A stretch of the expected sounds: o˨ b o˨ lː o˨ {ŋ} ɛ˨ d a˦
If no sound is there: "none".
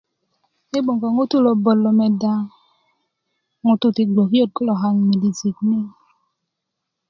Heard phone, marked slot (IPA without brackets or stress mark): m